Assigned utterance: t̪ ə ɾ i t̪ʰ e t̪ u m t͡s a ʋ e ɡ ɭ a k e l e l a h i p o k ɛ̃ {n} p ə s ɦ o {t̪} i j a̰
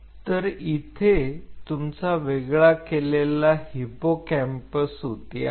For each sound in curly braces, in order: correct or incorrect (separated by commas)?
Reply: incorrect, correct